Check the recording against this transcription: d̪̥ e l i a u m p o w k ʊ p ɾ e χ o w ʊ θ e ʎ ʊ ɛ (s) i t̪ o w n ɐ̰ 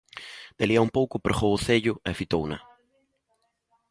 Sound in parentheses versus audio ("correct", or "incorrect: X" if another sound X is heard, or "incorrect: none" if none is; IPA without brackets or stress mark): incorrect: f